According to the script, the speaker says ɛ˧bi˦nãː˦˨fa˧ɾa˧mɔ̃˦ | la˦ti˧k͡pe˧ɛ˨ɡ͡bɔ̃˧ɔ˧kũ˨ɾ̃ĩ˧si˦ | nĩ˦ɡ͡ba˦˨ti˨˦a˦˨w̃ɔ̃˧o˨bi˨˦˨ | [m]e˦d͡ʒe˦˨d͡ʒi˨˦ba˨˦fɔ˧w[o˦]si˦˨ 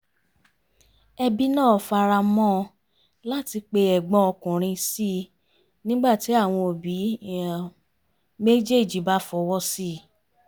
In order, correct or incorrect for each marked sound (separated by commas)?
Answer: correct, incorrect